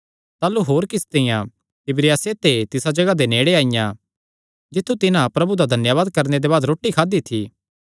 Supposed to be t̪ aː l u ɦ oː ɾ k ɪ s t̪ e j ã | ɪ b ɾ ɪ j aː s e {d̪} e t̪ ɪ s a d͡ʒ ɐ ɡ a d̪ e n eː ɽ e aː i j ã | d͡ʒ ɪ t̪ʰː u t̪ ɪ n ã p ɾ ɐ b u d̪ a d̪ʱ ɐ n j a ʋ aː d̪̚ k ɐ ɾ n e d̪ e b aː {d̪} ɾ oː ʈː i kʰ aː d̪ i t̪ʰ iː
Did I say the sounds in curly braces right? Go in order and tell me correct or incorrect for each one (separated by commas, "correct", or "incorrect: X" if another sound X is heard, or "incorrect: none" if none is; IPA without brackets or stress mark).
incorrect: t̪, correct